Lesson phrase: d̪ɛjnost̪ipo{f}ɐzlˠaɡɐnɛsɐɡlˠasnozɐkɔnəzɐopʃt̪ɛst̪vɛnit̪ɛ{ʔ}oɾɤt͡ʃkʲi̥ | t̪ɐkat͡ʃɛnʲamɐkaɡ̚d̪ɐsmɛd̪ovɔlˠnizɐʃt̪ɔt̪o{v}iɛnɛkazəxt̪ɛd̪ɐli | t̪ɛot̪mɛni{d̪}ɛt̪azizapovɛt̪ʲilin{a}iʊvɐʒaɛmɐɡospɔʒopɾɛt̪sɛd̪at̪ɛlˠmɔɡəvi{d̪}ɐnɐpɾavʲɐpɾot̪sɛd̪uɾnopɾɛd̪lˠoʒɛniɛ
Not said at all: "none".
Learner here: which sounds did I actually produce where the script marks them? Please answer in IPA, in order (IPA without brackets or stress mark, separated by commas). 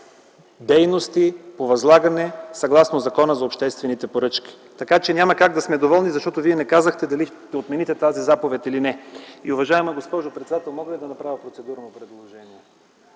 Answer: v, p, v, t̪, ɛ, d̪